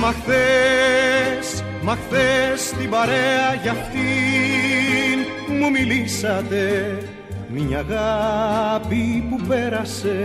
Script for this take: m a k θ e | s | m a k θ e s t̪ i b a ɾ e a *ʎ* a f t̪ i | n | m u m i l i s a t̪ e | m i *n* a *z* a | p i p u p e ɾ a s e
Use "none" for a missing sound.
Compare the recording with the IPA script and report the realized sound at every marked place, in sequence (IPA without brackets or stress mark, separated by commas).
ʝ, ɲ, ɣ